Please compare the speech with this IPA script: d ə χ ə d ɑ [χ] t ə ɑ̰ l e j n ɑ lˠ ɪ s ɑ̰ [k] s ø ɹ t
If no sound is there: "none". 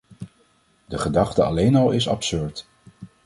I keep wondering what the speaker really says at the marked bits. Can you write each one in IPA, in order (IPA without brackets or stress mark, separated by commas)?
χ, p